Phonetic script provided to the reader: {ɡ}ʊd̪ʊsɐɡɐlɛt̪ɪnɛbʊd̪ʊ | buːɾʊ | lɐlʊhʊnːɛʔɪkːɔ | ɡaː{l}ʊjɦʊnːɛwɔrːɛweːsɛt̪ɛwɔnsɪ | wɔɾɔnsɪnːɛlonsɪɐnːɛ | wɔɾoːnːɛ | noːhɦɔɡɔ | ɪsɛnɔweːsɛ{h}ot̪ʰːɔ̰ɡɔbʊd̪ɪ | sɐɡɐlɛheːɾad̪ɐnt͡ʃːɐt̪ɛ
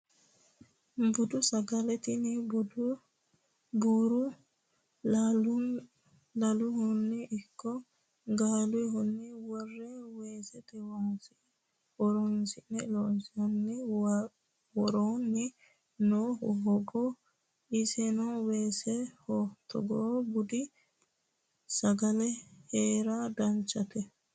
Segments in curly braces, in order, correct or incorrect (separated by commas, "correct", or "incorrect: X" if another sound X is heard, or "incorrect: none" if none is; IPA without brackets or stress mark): incorrect: b, correct, correct